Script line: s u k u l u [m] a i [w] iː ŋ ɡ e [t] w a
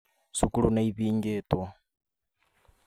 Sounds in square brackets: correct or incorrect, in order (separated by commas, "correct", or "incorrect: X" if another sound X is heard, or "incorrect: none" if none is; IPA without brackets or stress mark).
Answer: incorrect: n, incorrect: β, correct